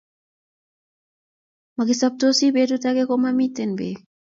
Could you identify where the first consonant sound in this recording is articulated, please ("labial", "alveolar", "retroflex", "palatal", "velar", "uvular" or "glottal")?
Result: labial